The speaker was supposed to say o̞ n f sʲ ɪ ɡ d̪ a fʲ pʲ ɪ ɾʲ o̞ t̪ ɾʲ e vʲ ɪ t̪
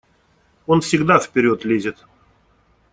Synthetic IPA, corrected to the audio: o̞ n f sʲ ɪ ɡ d̪ a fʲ pʲ ɪ ɾʲ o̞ t̪ lʲ e zʲ ɪ t̪